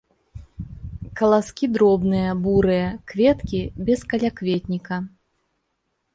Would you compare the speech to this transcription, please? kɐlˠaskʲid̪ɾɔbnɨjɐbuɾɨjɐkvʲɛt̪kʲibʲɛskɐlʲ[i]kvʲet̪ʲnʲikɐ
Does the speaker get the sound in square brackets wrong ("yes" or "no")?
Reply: yes